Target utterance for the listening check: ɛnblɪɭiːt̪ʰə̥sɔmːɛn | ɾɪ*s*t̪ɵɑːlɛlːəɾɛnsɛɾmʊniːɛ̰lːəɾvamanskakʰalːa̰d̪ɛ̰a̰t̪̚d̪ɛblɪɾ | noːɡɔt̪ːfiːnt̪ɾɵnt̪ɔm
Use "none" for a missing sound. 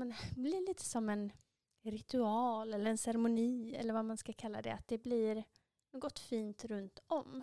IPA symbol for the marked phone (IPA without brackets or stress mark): none